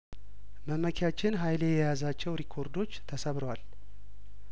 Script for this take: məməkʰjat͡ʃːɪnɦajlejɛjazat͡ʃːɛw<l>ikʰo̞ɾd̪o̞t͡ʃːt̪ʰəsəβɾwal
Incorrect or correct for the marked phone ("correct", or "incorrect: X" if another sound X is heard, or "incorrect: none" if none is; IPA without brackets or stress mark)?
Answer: incorrect: ɾ